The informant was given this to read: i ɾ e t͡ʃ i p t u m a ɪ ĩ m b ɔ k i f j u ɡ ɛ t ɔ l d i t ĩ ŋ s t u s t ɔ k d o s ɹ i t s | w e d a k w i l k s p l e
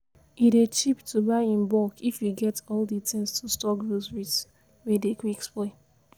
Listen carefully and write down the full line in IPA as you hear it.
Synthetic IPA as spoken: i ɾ e t͡ʃ i p t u b a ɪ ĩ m b ɔ k i f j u ɡ ɛ t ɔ l d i t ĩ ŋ s t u s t ɔ k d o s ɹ i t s | w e d e k w i k s p l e

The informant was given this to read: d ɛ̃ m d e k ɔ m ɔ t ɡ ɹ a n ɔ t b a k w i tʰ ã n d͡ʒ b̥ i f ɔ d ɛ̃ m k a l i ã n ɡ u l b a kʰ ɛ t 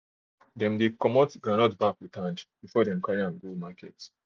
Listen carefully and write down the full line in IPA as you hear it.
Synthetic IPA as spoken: d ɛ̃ m d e k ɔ m ɔ t ɡ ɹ a n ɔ t b a k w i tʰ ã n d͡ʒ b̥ i f ɔ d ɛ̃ m k a ɹ i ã n ɡ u l m a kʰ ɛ t

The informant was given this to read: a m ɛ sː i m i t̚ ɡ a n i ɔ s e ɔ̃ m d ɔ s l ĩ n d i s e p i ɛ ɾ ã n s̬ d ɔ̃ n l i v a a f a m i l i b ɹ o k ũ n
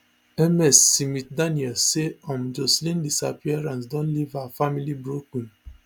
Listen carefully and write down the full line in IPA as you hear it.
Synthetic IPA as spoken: ɛ m ɛ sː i m i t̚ d a n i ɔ s e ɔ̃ m d͡ʒ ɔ s l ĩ n d i s a p i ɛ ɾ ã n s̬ d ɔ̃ n l i v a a f a m i l i b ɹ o k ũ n

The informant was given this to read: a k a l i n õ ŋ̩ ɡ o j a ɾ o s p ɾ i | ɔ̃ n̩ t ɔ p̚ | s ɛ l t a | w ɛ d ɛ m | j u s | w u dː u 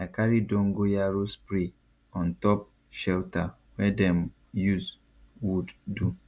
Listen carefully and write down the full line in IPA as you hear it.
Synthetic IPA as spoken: a k a ɾ i d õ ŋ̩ ɡ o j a ɾ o s p ɾ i | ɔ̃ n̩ t ɔ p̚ | ʃ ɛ l t a | w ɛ d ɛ m | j u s | w u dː u

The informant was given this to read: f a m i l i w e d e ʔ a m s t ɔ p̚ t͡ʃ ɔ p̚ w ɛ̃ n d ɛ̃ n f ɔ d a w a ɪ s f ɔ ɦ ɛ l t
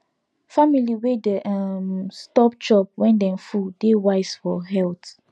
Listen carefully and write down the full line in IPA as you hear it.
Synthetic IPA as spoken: f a m i l i w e d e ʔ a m s t ɔ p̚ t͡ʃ ɔ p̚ w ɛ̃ n d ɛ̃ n f u d e w a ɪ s f ɔ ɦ ɛ l t

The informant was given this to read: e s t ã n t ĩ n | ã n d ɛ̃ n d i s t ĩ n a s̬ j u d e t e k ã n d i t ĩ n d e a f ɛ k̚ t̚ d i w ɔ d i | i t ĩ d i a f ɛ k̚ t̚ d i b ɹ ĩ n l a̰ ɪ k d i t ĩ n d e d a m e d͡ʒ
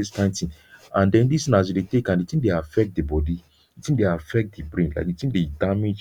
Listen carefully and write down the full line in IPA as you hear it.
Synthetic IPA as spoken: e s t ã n t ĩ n | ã n d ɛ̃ n d i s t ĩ n a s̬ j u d e t e k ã n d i t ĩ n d e a f ɛ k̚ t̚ d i b ɔ d i | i t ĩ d e a f ɛ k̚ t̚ d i b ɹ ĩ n l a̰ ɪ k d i t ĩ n d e d a m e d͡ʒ

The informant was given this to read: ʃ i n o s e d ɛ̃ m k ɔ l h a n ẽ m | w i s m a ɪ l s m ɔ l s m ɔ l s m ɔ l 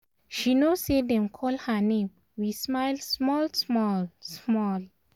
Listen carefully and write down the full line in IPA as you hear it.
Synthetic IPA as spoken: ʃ i n o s e d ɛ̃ m kʰ ɔ l h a n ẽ m | w i s m a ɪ l s m ɔ l s m ɔ l s m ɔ l

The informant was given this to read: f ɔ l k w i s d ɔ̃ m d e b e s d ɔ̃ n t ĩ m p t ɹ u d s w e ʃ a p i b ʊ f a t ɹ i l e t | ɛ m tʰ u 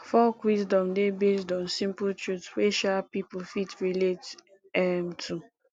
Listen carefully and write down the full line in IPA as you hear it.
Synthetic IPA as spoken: f ɔ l k w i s d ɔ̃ m d e b e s d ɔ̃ n s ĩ m p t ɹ u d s w e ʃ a p i p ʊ f i t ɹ i l e t | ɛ m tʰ u

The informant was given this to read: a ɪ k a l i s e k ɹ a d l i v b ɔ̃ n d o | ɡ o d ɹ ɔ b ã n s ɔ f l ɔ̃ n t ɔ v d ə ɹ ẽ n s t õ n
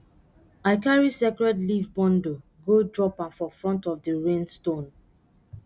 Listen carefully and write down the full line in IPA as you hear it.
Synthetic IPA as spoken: a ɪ k a ɹ i s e k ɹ ɛ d l i v b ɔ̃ n d o | ɡ o d ɹ ɔ p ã n f ɔ f ɹ ɔ̃ n t ɔ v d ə ɹ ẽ n s t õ n

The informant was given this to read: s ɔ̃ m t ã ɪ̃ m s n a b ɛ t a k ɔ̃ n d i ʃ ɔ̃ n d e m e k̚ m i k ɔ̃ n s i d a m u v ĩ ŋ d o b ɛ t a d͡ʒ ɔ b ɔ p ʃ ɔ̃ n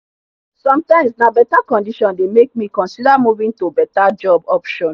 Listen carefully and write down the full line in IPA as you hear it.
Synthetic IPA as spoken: s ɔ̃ m t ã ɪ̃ m s n a b ɛ t a k ɔ̃ n d i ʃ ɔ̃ n d e m e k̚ m i k ɔ̃ n s i d a m u v ĩ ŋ t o b ɛ t a d͡ʒ ɔ b ɔ p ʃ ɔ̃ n

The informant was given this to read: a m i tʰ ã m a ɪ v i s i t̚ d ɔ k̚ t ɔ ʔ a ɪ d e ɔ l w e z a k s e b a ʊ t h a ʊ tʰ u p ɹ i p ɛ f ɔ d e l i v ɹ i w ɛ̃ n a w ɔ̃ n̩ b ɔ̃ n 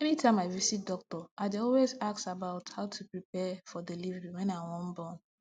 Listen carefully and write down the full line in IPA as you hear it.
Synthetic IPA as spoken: ɛ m i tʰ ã m a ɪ v i s i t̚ d ɔ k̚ t ɔ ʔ a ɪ d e ɔ l w e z a k s a b a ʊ t h a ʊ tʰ u p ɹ i p ɛ f ɔ d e l i v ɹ i w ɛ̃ n a w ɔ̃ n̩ b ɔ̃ n

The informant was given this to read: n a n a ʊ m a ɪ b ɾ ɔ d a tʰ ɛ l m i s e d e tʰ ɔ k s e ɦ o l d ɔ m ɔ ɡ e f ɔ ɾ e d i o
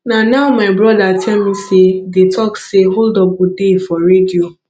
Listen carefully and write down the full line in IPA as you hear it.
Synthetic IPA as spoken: n a n a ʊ m a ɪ b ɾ ɔ d a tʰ ɛ l m i s e d e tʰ ɔ k s e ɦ o l d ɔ b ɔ d e f ɔ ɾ e d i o

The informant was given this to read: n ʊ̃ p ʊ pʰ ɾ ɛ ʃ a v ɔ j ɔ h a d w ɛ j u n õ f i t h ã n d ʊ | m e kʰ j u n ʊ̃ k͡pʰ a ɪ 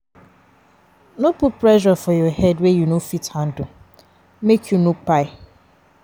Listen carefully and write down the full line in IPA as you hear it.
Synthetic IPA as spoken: n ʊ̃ p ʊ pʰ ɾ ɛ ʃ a f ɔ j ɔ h ɛ d w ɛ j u n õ f i t h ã n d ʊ | m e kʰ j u n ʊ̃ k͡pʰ a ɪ

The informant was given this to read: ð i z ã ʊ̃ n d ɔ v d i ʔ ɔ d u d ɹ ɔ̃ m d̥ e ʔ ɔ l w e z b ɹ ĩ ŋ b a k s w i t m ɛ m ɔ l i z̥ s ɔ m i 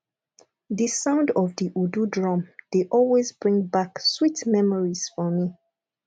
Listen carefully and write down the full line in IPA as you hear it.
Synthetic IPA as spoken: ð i s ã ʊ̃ n d ɔ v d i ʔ u d u d ɹ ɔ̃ m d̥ e ʔ ɔ l w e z b ɹ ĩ ŋ b a k s w i t m ɛ m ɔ ɹ i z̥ f ɔ m i

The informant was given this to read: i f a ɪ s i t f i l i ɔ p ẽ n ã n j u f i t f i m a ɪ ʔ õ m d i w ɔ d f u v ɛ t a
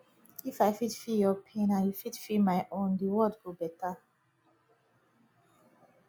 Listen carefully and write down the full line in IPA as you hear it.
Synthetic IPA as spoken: i f a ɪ f i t f i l j ɔ pʰ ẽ n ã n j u f i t f i m a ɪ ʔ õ n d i w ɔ d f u b ɛ t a

